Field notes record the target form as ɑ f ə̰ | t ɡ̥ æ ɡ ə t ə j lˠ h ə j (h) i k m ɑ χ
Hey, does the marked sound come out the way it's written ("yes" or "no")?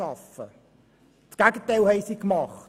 no